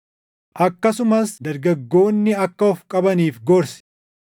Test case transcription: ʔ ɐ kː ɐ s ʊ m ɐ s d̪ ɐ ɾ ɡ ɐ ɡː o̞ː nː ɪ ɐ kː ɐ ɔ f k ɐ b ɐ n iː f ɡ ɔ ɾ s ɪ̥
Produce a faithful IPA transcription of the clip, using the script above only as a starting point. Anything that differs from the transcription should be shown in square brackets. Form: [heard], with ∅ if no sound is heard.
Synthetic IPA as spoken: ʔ ɐ kː ɐ s ʊ m ɐ s d̪ ɐ ɾ ɡ ɐ ɡː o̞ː nː ɪ ɐ kː ɐ ɔ f [kʼ] ɐ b ɐ n iː f ɡ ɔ ɾ s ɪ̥